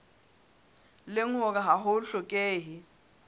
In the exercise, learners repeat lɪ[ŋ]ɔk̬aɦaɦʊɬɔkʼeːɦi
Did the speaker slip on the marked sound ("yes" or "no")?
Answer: no